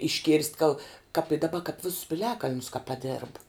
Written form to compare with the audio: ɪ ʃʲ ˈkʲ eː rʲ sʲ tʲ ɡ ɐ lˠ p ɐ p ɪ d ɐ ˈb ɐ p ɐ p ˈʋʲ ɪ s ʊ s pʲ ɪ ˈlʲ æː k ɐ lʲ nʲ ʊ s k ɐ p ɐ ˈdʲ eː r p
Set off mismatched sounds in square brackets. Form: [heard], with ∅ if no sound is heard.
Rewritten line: ɪ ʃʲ ˈkʲ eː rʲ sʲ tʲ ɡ ɐ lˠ [k] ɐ p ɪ d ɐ ˈb ɐ [k] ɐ p ˈʋʲ ɪ s ʊ s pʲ ɪ ˈlʲ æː k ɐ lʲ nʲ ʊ s k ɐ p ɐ ˈdʲ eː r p